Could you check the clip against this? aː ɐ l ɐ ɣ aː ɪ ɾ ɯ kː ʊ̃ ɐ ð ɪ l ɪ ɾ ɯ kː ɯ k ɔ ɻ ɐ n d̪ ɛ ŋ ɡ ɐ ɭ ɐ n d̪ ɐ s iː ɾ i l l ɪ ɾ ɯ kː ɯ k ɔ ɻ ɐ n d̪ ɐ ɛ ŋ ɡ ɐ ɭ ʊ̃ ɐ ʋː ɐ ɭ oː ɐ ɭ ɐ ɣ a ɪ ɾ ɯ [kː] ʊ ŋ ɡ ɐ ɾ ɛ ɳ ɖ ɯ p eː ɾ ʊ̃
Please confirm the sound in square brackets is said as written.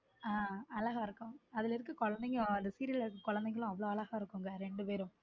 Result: yes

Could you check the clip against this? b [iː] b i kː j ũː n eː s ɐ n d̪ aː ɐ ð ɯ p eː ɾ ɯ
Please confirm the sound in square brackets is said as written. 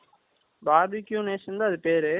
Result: no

